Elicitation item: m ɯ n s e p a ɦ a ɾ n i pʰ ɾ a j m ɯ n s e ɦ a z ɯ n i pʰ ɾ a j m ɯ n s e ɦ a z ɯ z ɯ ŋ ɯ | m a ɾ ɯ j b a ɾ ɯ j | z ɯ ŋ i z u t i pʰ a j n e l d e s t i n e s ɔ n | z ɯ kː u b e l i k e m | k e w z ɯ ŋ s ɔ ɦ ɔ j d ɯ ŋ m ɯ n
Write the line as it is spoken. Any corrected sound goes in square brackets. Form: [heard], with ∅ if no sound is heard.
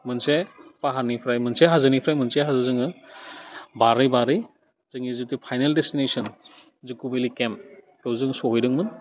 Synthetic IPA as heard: m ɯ n s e p a ɦ a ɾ n i pʰ ɾ a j m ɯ n s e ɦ a z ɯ n i pʰ ɾ a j m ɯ n s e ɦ a z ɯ z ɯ ŋ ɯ | [b] a ɾ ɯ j b a ɾ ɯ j | z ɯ ŋ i z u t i pʰ a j n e l d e s t i n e s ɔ n | z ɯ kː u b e l i k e m | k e w z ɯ ŋ s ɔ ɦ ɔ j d ɯ ŋ m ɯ n